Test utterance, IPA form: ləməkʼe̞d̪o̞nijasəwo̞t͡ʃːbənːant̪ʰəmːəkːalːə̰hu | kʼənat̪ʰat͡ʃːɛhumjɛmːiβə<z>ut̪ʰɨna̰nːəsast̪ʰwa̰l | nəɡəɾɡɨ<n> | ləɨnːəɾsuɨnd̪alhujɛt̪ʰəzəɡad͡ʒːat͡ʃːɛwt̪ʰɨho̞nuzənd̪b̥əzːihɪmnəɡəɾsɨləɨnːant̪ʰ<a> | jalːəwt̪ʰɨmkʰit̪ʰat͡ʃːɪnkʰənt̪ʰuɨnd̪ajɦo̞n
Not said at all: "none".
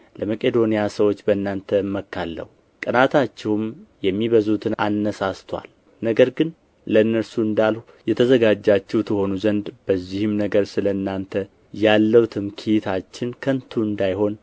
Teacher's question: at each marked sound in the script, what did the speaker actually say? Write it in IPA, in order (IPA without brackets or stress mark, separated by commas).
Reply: z, n, ə